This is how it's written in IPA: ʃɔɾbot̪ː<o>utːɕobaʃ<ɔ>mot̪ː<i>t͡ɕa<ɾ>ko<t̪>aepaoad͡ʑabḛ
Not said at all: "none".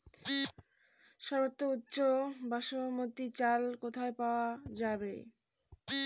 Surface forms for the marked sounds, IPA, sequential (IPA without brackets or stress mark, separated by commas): o, o, i, l, t̪ʰ